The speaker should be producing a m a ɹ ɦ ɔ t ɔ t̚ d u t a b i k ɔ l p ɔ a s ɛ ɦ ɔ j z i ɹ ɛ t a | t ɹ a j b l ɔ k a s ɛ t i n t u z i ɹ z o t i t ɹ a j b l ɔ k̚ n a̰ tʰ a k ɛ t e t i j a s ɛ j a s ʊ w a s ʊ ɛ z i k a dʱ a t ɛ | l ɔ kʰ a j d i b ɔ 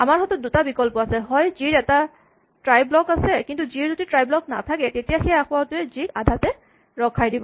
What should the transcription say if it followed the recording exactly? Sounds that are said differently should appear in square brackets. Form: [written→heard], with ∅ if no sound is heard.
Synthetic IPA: a m a ɹ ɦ ɔ t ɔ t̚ d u t a b i k ɔ l p ɔ a s ɛ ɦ ɔ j z i ɹ ɛ t a | t ɹ a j b l ɔ k a s ɛ [t→k] i n t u z i ɹ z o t i t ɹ a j b l ɔ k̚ n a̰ tʰ a k ɛ t e t i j a [s→x] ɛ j a [s→x] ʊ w a [s→t] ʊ ɛ z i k a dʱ a t ɛ | [l→ɹ] ɔ kʰ a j d i b ɔ